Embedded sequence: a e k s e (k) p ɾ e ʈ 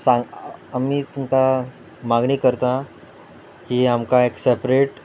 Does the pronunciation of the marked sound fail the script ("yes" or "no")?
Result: yes